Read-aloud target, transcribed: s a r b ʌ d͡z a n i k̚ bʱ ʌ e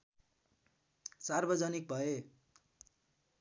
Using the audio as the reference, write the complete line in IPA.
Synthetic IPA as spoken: s a r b ʌ d͡z ʌ n i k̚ bʱ ʌ e